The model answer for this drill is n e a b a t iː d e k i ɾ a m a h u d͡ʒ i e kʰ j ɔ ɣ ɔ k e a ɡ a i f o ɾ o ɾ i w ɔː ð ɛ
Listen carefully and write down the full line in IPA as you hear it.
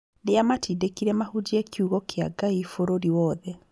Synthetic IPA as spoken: n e a m a t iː d e k i ɾ ɛ m a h u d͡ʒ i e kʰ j u ɣ ɔ k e a ɡ a i f o ɾ o ɾ i w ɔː ð ɛ